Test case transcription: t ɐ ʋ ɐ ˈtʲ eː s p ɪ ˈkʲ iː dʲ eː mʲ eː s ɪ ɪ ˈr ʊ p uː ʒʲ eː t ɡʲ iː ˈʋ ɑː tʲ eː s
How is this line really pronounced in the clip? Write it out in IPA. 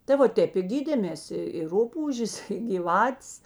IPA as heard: t ɐ ʋ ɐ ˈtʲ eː p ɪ ˈɡʲ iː dʲ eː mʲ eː s ɪ ɪ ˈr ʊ p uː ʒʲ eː s ɡʲ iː ˈʋ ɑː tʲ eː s

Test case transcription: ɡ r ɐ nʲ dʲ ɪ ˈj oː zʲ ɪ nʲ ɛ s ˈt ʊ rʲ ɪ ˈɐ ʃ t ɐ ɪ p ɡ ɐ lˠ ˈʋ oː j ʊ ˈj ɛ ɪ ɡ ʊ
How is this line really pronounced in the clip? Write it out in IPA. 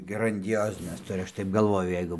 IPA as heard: ɡ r ɐ nʲ dʲ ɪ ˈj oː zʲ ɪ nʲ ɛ s ˈt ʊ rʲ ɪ ˈɐ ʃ t ɐ ɪ p ɡ ɐ lˠ ˈʋ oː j ʊ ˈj ɛ ɪ ɡ ʊ

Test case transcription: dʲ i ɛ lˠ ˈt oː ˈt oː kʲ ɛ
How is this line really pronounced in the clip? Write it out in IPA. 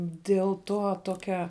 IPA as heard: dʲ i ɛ lˠ ˈt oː ˈt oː kʲ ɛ

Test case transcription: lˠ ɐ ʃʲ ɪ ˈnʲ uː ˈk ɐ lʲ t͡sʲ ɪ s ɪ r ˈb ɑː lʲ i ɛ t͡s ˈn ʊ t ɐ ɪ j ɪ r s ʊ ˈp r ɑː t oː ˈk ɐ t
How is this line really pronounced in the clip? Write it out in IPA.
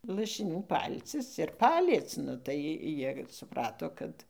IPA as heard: lˠ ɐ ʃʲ ɪ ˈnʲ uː ˈp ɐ lʲ t͡sʲ ɪ s ɪ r ˈp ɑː lʲ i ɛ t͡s ˈn ʊ t ɐ ɪ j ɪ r s ʊ ˈp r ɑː t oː ˈk ɐ t

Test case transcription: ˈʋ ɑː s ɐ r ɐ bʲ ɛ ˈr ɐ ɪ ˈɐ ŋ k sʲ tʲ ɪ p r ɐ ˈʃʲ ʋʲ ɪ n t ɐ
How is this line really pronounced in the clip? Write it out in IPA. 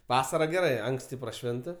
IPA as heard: ˈʋ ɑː s ɐ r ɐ ɡʲ ɛ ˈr ɐ ɪ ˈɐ ŋ k sʲ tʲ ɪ p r ɐ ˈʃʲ ʋʲ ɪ n t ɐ

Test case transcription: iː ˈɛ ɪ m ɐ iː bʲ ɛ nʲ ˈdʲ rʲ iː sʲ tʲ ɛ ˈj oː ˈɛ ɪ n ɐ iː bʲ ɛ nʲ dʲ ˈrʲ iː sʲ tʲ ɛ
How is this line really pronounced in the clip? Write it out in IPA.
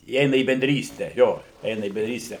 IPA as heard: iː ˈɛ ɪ n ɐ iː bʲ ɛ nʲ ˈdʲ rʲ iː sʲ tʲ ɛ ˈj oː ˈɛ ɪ n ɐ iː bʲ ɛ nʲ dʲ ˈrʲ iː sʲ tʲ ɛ

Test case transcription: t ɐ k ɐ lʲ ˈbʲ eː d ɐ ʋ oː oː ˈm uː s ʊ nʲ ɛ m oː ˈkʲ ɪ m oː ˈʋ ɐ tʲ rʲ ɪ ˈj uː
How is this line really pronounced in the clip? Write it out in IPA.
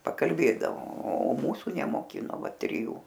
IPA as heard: p ɐ k ɐ lʲ ˈbʲ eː d ɐ ʋ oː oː ˈm uː s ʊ nʲ ɛ m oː ˈkʲ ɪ n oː ˈʋ ɐ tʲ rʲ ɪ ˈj uː

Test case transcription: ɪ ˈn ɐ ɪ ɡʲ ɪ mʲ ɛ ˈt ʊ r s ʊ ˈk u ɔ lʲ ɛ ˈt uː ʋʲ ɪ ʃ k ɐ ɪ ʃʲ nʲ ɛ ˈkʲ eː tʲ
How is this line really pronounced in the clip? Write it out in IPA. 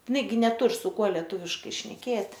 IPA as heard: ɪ ˈn ɐ ɪ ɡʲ ɪ nʲ ɛ ˈt ʊ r s ʊ ˈk u ɔ lʲ ɛ ˈt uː ʋʲ ɪ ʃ k ɐ ɪ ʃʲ nʲ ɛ ˈkʲ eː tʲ

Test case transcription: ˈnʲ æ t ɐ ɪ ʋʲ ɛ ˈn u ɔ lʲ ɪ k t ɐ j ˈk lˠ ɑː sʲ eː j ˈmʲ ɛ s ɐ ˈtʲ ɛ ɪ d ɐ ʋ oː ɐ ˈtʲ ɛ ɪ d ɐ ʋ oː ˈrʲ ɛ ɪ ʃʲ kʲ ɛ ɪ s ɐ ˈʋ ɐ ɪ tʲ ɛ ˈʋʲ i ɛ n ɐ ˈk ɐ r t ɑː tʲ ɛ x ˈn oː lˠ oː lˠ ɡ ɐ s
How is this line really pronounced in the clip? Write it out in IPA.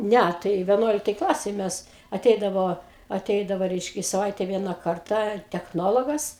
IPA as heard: ˈnʲ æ t ɐ ɪ ʋʲ ɛ ˈn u ɔ lʲ ɪ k t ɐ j ˈk lˠ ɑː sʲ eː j ˈmʲ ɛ s ɐ ˈtʲ ɛ ɪ d ɐ ʋ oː ɐ ˈtʲ ɛ ɪ d ɐ ʋ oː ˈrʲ ɛ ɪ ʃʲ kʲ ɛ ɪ s ɐ ˈʋ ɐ ɪ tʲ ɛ ˈʋʲ i ɛ n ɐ ˈk ɐ r t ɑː tʲ ɛ x ˈn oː lˠ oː ɡ ɐ s

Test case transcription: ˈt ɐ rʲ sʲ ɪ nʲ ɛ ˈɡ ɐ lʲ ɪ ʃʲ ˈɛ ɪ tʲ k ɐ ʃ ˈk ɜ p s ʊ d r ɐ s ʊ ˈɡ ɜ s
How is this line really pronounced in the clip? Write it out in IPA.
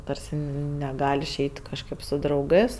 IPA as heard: ˈt ɐ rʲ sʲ ɪ nʲ ɛ ˈɡ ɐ lʲ ɪ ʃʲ ˈɛ ɪ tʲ k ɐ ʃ ˈk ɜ p s ʊ d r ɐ ʊ ˈɡ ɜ s

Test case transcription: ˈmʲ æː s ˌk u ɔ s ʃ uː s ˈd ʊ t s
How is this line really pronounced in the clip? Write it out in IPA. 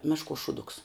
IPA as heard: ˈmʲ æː ʃ ˌk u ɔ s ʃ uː ˈd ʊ k s

